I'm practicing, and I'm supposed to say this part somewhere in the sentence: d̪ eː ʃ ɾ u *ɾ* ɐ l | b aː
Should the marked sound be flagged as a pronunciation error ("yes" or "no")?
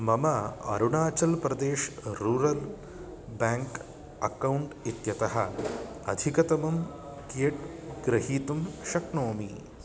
no